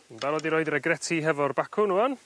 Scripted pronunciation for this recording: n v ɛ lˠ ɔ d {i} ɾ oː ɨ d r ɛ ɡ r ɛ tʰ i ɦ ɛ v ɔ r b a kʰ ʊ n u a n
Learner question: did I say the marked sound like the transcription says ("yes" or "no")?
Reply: yes